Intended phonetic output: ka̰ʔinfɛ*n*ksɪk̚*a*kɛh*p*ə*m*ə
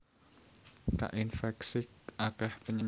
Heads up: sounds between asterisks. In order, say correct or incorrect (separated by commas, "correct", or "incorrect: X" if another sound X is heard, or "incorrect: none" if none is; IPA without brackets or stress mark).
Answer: incorrect: none, correct, correct, incorrect: ɲ